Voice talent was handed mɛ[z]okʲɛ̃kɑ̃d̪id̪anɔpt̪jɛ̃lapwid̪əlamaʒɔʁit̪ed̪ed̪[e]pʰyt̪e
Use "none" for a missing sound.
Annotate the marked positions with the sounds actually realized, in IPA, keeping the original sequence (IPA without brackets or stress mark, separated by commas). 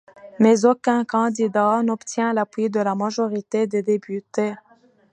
z, e